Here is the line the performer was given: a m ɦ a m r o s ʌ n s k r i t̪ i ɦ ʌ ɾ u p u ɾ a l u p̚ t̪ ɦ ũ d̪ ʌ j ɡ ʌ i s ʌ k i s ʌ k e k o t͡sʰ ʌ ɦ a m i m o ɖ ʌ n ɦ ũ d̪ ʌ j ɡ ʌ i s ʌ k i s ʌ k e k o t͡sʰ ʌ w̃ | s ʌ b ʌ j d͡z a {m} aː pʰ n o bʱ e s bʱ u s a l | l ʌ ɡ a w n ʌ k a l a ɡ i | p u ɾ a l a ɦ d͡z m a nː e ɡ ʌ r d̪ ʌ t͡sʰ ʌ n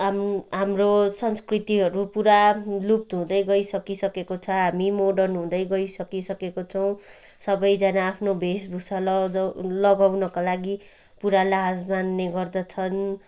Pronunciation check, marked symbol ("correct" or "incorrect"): incorrect